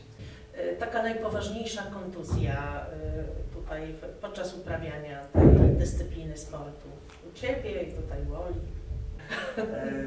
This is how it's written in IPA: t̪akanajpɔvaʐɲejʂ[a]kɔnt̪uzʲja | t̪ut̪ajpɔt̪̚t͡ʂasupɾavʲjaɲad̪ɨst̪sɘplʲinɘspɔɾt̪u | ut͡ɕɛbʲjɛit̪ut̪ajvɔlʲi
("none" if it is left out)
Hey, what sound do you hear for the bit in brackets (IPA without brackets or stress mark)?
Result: a